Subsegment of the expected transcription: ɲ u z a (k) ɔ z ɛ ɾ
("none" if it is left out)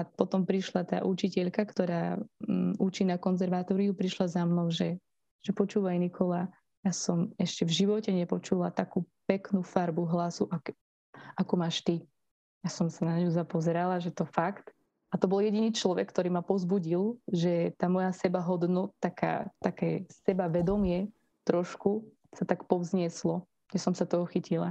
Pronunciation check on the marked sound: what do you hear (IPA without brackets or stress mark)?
p